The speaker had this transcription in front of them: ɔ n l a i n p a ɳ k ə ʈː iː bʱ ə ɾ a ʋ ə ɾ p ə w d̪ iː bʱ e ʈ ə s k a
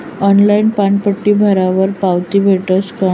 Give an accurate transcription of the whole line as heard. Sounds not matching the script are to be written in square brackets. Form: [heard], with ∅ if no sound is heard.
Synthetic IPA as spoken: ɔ n l a i n p a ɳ [p] ə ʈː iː bʱ ə ɾ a ʋ ə ɾ p [a] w [t̪] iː bʱ e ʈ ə s k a